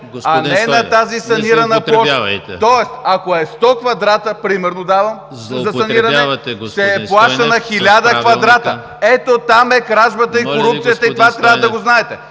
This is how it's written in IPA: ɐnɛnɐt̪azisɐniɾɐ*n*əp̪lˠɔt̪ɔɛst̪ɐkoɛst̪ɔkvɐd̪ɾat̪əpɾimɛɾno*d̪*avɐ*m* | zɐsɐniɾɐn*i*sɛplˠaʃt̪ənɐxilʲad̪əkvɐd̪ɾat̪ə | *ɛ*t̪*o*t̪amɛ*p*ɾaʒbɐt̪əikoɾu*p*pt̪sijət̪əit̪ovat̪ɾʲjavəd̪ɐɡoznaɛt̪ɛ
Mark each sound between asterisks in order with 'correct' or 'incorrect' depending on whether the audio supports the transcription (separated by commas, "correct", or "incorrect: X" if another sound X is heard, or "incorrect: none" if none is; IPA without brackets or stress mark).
correct, correct, correct, incorrect: ɛ, correct, correct, incorrect: k, correct